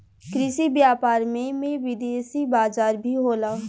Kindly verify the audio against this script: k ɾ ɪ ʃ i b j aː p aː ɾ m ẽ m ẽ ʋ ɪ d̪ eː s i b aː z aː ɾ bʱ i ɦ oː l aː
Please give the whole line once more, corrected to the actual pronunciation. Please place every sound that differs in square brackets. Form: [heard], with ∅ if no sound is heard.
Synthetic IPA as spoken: k ɾ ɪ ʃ i b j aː p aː ɾ m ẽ m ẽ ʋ ɪ d̪ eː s i b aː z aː ɾ bʱ i ɦ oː l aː